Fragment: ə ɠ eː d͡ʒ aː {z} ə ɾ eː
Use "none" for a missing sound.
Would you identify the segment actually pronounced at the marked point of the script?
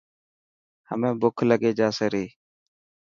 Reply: s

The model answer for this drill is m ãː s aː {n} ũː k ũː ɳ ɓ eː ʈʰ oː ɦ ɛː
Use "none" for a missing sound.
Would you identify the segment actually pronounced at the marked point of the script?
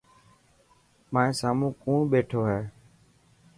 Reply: m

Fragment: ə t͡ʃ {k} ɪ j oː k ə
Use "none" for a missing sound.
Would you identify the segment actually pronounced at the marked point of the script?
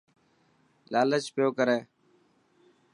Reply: p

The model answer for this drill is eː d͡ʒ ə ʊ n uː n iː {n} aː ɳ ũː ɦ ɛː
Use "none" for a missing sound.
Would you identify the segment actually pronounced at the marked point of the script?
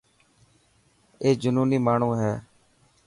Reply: m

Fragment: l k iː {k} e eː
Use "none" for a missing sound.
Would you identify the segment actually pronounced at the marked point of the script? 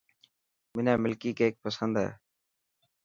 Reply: k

